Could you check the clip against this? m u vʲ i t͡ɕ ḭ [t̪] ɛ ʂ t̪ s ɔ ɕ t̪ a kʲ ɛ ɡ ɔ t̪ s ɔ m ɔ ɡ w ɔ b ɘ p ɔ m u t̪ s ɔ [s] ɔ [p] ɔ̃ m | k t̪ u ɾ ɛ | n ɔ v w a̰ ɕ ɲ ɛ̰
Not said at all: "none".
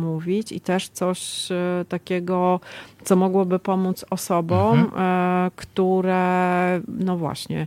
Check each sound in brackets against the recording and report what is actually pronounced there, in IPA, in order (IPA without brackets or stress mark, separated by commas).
t̪, s, b